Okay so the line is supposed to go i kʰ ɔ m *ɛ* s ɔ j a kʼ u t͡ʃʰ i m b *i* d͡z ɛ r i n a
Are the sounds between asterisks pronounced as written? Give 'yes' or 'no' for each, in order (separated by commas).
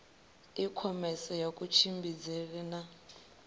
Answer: yes, yes